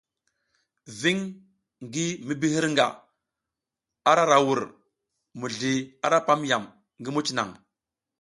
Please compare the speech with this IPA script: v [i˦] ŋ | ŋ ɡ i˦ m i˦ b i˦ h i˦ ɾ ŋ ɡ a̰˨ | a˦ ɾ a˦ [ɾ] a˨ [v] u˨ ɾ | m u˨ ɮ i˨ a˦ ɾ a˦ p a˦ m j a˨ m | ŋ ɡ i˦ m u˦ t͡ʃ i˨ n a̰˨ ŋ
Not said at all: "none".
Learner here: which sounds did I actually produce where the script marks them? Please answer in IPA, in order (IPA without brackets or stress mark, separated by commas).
i˦, ɾ, w